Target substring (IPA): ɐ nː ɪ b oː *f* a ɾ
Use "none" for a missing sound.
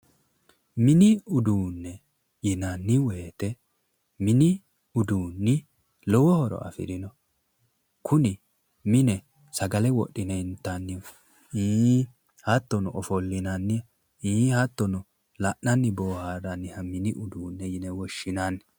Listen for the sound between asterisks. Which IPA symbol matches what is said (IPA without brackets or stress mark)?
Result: h